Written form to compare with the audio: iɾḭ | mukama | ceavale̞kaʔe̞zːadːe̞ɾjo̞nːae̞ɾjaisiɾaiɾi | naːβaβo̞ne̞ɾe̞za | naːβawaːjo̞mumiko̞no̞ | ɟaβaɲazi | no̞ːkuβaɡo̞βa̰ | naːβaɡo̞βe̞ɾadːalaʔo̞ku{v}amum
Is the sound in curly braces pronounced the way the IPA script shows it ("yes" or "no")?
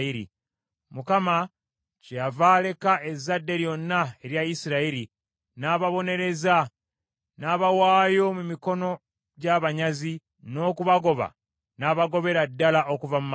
yes